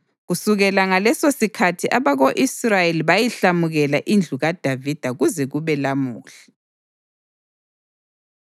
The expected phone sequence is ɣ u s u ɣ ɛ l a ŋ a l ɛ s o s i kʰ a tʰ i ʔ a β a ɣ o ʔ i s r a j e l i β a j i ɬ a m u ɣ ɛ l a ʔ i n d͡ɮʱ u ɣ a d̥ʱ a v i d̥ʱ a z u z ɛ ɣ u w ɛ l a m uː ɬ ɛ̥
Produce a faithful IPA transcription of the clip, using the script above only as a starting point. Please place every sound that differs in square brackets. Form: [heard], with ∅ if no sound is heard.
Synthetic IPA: ɣ u s u ɣ ɛ l a ŋ a l ɛ s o s i kʰ a tʰ i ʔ a β a ɣ o ʔ i s r a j e l i β a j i ɬ a m u ɣ ɛ l a ʔ i n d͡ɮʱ u ɣ a d̥ʱ a v i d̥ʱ a [ɣ] u z ɛ ɣ u [β] ɛ l a m uː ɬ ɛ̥